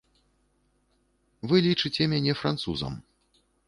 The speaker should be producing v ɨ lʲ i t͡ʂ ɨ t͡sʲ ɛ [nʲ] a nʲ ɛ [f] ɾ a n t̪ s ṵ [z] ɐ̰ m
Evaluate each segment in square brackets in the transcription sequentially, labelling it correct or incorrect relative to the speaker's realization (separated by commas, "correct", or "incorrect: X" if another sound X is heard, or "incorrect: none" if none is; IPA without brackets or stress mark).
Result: incorrect: mʲ, correct, correct